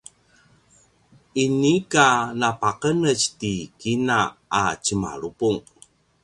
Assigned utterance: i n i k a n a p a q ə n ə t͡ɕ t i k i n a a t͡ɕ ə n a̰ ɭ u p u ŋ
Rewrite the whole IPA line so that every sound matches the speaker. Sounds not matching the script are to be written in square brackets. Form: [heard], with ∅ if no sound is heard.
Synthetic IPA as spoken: i n i k a n a p a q ə n ə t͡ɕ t i k i n a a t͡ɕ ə [m] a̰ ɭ u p u ŋ